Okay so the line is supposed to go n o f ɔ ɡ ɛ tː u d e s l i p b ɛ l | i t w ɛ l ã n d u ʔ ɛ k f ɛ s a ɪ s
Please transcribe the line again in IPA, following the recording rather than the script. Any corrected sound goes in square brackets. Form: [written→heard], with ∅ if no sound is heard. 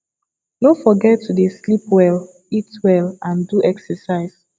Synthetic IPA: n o f ɔ ɡ ɛ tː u d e s l i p [b→w] ɛ l | i t w ɛ l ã n d u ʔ ɛ k [f→s] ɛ s a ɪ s